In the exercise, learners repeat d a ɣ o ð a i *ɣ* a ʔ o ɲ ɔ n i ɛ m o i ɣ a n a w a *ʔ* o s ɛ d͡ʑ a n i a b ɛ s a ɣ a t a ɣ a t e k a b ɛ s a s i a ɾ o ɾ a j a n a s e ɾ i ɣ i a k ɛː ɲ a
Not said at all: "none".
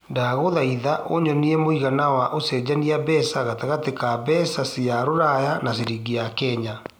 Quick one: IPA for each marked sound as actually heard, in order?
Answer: ð, ʔ

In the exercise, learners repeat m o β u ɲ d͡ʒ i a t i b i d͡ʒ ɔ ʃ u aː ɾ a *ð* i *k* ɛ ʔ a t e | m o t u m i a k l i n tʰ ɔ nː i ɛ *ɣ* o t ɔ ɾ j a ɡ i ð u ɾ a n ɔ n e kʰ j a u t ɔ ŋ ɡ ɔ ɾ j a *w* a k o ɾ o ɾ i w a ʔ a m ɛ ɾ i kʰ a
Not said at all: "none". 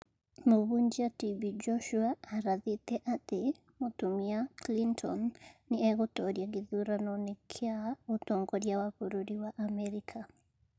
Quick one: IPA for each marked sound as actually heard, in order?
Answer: ð, t, ɣ, w

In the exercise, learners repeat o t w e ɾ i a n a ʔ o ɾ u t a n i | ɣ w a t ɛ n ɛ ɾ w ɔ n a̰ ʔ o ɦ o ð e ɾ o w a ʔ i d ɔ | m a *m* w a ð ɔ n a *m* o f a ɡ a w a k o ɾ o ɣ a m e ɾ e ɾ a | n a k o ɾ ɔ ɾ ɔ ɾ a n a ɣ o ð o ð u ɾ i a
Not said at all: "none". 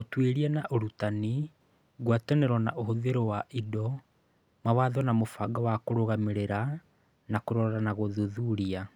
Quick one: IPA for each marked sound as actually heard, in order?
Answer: none, m

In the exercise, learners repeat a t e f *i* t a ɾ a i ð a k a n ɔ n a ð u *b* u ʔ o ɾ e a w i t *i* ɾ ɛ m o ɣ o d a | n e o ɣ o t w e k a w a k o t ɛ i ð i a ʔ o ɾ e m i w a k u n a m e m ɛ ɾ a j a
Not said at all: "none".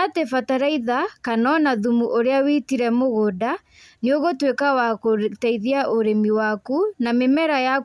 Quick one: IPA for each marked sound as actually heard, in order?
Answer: a, m, i

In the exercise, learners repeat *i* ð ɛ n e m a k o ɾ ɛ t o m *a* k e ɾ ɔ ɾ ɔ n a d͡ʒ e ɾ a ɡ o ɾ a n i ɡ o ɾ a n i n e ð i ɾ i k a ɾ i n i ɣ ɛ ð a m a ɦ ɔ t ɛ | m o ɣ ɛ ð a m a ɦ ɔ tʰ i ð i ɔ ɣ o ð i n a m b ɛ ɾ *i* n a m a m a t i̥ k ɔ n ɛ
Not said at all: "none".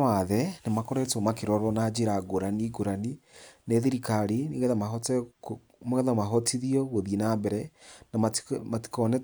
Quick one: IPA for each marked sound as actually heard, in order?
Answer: a, a, ɛ

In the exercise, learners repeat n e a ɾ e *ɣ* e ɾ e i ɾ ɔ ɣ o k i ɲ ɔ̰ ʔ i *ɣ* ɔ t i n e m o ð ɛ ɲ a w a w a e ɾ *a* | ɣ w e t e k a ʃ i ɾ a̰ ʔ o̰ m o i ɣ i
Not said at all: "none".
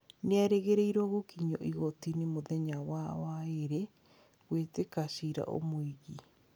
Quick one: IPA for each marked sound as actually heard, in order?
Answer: ɣ, ɣ, e

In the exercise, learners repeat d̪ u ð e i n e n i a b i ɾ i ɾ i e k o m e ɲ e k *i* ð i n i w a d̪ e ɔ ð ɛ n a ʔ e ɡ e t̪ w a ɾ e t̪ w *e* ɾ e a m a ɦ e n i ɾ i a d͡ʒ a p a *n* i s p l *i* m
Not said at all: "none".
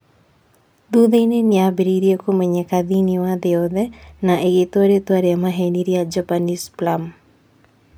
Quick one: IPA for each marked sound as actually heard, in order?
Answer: a, a, n, a

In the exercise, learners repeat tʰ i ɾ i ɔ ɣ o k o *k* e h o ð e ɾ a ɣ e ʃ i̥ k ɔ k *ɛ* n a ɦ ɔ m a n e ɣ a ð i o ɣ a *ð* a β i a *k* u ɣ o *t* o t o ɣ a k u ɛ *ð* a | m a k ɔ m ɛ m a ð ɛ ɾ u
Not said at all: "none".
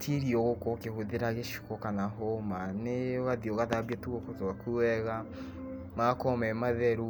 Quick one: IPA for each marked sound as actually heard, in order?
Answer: k, a, ð, t, k, ɣ

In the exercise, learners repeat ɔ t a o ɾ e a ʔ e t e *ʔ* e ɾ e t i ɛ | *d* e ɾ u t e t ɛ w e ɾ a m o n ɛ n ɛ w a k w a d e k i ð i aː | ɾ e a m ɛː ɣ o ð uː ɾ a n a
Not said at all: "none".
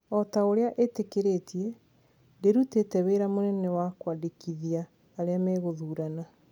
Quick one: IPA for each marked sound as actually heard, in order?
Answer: k, d

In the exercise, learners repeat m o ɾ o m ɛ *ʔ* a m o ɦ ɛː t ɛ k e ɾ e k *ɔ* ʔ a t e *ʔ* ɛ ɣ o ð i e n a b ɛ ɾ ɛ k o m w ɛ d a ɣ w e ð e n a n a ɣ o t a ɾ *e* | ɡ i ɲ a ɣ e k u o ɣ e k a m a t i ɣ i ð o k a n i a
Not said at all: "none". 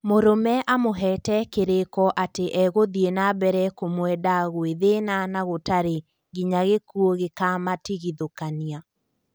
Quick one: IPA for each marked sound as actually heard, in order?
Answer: ʔ, ɔ, ʔ, e

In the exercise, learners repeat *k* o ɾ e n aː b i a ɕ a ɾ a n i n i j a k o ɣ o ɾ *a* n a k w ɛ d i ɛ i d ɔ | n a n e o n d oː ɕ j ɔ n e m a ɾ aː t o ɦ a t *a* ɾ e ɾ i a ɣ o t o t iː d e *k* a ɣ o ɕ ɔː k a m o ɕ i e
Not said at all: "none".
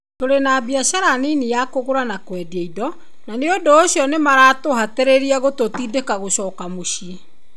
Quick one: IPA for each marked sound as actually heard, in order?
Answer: t, a, e, k

